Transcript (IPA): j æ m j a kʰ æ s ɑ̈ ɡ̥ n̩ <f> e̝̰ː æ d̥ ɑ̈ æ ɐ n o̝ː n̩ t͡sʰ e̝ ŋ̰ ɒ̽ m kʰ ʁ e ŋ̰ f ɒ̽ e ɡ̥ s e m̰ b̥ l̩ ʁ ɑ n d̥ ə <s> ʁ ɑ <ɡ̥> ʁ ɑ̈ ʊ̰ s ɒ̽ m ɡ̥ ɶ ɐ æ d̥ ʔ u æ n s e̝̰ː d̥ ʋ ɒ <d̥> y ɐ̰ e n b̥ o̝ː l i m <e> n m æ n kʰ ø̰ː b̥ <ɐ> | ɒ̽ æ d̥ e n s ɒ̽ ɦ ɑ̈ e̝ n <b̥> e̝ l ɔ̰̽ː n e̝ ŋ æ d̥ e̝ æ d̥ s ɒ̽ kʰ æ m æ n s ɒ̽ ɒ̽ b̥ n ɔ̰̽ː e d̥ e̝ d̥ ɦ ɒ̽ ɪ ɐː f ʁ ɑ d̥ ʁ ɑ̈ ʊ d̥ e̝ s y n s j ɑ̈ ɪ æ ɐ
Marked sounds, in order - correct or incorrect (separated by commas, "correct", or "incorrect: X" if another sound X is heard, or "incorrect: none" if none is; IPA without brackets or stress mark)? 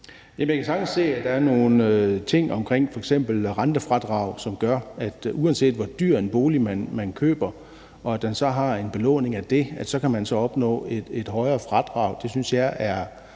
incorrect: s, incorrect: f, incorrect: d̥, correct, incorrect: æ, correct, correct